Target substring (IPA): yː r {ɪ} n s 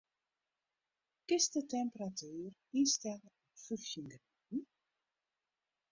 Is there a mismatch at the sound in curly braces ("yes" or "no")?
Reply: yes